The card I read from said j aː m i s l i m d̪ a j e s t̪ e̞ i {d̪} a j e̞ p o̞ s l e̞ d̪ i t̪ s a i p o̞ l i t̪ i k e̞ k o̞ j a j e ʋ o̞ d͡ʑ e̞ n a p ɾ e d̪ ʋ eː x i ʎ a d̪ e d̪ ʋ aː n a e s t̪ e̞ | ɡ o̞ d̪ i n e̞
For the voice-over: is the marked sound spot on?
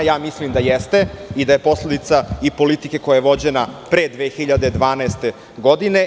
yes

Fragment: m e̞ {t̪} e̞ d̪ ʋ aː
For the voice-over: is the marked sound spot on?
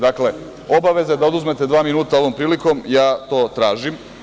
yes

